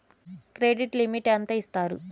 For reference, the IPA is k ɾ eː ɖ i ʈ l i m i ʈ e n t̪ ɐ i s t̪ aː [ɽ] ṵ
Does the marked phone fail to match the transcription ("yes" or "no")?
yes